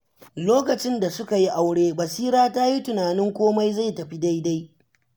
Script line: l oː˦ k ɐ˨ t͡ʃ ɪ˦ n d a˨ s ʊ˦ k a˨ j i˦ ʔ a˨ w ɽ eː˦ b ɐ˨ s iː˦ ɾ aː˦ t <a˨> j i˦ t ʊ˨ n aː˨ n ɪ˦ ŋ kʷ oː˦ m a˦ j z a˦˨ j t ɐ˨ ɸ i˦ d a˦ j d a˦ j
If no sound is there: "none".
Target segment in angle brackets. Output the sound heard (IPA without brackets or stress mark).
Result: a˦